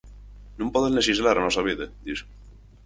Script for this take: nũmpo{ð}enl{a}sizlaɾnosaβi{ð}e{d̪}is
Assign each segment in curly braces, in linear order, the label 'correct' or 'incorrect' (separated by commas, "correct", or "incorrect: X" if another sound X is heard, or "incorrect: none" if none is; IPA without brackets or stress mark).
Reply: correct, incorrect: e, correct, correct